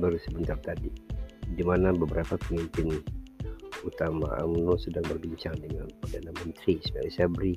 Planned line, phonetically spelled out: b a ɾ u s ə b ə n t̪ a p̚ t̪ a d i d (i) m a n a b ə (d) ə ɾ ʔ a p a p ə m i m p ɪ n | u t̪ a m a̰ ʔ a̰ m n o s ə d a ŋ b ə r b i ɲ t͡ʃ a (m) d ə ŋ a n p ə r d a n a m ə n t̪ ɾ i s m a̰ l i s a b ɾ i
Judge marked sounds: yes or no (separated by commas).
yes, no, no